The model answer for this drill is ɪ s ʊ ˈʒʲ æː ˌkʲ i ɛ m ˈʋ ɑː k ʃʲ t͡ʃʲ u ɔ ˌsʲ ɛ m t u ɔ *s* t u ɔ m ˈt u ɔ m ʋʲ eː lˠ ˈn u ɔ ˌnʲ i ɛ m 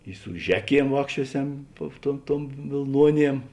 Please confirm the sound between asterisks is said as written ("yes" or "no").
no